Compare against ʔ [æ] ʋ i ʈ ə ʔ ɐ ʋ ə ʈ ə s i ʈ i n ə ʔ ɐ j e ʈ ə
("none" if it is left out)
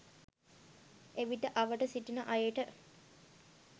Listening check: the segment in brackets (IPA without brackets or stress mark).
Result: e